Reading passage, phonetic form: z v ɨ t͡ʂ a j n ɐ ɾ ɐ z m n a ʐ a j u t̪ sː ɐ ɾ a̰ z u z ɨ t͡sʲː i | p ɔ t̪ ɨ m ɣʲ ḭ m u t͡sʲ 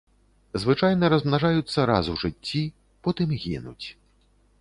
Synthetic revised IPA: z v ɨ t͡ʂ a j n ɐ ɾ ɐ z m n a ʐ a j u t̪ sː ɐ ɾ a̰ z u ʐ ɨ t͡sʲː i | p ɔ t̪ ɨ m ɣʲ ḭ n u t͡sʲ